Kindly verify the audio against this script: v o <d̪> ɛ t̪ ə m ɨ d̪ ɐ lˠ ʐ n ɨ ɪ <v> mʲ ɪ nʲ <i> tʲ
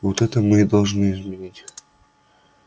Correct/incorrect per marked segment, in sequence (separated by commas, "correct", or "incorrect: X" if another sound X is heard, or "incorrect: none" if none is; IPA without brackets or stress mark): incorrect: t̪, incorrect: z, correct